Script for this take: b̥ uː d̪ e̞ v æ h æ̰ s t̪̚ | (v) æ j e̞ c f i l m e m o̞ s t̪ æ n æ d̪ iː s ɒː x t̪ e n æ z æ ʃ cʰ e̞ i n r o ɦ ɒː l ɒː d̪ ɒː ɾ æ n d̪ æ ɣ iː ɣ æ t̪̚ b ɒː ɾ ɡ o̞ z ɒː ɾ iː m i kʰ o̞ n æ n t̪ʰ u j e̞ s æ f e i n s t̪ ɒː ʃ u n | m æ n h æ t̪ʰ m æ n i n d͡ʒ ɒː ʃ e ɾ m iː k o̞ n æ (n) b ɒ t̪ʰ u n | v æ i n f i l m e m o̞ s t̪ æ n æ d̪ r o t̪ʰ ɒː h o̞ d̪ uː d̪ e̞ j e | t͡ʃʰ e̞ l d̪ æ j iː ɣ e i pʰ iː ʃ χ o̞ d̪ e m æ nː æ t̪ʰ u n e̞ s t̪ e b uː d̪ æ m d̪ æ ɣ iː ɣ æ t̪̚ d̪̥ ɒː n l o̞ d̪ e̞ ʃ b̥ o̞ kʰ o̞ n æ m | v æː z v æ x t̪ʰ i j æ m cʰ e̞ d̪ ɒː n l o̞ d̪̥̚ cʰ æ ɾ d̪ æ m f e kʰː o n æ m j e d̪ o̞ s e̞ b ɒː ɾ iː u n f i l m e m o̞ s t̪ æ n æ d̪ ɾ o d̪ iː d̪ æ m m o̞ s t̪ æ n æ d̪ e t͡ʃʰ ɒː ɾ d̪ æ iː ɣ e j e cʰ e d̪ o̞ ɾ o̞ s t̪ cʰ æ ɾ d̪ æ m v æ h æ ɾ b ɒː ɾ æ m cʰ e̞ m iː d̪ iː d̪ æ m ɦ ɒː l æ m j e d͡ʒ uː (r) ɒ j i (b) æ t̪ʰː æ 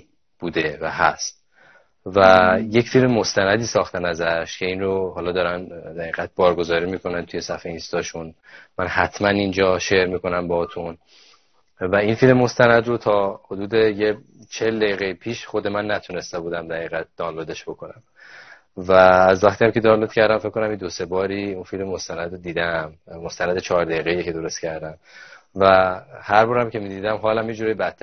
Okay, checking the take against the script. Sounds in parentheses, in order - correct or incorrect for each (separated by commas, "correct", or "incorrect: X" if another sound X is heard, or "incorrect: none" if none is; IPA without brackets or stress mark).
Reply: correct, incorrect: m, incorrect: ɾ, correct